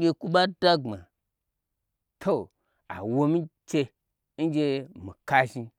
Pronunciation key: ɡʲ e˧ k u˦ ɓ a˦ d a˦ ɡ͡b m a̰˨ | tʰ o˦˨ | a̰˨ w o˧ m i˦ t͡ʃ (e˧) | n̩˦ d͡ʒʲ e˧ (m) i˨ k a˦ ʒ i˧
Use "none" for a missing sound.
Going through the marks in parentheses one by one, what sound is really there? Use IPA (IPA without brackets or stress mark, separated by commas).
e˧, m